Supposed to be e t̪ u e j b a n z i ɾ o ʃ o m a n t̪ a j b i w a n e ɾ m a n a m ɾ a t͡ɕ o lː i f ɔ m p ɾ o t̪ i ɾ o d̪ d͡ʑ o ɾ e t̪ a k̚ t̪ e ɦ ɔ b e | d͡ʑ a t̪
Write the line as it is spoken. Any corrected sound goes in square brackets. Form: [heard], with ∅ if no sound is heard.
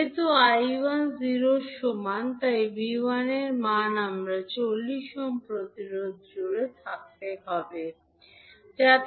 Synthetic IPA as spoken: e t̪ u [a] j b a n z i ɾ o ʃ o m a n t̪ a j b i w a n e ɾ m a n a m ɾ a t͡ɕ o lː i [ʃ] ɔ m p ɾ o t̪ i ɾ o d̪ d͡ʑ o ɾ e [t̪ʰ] a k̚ t̪ e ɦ ɔ b e | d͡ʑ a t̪

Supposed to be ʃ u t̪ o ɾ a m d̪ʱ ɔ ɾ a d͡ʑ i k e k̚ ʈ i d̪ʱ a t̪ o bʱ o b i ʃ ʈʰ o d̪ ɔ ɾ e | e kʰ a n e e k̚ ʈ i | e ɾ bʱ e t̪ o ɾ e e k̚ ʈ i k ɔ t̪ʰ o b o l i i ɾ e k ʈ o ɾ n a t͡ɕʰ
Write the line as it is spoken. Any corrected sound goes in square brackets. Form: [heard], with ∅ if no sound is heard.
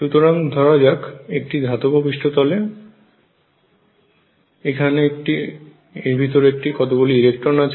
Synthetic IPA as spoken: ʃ u t̪ o ɾ a [ŋ] d̪ʱ ɔ ɾ a d͡ʑ [a] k e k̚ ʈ i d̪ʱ a t̪ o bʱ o b i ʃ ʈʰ o [t̪] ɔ [l] e | e kʰ a n e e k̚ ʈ i | e ɾ bʱ [i] t̪ o ɾ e e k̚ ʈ i k ɔ [t̪] o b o l i i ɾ e k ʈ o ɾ n a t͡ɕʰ

